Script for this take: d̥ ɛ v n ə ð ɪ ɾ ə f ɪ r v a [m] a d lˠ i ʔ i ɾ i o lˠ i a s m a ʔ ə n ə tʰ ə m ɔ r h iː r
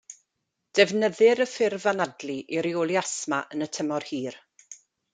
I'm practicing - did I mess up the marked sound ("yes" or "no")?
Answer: yes